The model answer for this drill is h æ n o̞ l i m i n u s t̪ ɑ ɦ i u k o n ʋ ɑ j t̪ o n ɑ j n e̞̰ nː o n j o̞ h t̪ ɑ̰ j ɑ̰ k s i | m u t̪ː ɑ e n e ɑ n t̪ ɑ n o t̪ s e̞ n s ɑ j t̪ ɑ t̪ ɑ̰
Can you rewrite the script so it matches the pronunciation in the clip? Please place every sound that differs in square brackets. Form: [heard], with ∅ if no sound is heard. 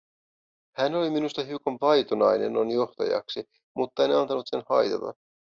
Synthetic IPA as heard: h æ n o̞ l i m i n u s t̪ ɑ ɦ i u k o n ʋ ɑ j t̪ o n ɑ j n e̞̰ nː o n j o̞ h t̪ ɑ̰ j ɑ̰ k s i | m u t̪ː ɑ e n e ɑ n t̪ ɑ n [u] t̪ s e̞ n [h] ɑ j t̪ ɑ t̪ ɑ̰